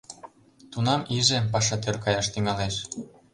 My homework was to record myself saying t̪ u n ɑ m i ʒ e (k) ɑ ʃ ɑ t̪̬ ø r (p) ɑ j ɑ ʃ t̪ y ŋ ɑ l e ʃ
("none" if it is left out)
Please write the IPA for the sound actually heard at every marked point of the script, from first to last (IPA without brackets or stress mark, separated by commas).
p, k